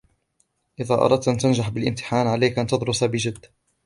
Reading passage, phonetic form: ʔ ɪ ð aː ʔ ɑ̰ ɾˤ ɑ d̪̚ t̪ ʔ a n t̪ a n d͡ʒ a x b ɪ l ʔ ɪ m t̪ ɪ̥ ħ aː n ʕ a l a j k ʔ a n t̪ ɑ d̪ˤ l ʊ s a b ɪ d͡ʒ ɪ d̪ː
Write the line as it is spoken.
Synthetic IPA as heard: ʔ ɪ ð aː ʔ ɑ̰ ɾˤ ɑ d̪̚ t̪ ʔ a n t̪ a n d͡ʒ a ħ b ɪ l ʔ ɪ m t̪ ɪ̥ ħ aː n ʕ a l a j k ʔ a n t̪ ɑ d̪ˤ ɾ ʊ s a b ɪ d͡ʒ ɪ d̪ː